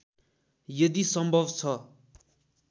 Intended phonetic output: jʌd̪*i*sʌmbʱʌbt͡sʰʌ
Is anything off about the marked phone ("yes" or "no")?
no